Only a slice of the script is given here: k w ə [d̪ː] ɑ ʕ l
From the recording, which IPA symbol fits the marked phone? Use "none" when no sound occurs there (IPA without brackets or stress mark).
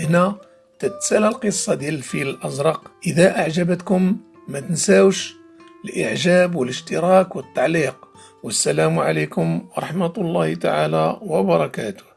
t̪ː